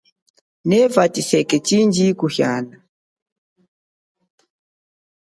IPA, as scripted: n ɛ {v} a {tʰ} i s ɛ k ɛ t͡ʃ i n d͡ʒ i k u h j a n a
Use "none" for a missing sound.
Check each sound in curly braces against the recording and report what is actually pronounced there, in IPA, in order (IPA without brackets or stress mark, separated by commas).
v, t